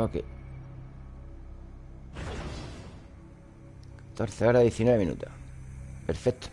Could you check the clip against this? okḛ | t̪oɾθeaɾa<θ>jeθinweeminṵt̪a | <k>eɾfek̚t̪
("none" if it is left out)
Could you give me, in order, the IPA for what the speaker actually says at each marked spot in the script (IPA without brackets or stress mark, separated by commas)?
ð, p